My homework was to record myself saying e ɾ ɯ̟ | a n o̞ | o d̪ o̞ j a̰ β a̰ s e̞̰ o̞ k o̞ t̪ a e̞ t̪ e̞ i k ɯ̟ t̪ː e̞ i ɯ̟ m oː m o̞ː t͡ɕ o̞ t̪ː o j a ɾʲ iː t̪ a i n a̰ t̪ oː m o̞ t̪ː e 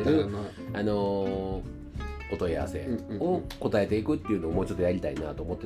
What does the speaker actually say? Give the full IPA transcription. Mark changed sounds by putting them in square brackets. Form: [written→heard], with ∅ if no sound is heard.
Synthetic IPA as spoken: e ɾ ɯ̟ | a n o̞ | o [d̪→t̪] o̞ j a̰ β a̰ s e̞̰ o̞ k o̞ t̪ a e̞ t̪ e̞ i k ɯ̟ t̪ː e̞ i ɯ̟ [m→n] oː m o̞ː t͡ɕ o̞ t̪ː o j a ɾʲ [iː→i] t̪ a i n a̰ t̪ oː m o̞ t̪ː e